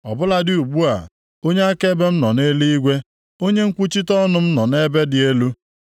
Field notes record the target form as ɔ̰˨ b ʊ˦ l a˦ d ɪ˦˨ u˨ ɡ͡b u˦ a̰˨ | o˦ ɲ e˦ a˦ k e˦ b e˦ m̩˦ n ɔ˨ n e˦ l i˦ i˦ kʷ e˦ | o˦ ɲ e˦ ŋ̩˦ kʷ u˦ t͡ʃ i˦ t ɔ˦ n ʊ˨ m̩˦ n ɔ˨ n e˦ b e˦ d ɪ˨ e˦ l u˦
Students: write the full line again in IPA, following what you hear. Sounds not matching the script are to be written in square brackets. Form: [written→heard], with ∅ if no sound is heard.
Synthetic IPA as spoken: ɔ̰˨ b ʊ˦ l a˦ d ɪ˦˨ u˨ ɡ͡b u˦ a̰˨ | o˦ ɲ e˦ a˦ k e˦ b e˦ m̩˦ n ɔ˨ n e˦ l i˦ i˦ [kʷ→ɡʷ] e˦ | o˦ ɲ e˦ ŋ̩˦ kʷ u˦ t͡ʃ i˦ t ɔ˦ n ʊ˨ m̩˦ n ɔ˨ n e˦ b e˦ d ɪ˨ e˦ l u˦